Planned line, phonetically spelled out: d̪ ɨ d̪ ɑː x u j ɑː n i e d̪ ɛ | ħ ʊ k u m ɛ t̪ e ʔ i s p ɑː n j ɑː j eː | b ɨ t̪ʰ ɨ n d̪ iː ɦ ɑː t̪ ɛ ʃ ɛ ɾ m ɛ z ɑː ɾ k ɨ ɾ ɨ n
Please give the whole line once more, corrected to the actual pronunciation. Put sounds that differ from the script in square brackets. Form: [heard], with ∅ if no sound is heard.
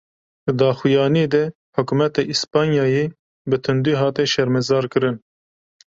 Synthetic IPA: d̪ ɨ d̪ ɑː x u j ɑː n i e d̪ ɛ | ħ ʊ k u m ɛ t̪ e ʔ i s p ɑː n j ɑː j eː | b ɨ t̪ʰ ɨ n d̪ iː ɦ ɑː t̪ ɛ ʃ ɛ ɾ m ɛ z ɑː ɾ k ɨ ɾ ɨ n